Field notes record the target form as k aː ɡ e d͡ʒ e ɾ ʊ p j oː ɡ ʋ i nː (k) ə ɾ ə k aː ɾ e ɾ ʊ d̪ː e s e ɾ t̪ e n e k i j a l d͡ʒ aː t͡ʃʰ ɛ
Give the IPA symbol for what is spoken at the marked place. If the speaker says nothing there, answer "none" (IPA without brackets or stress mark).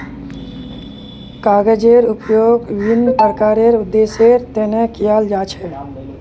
p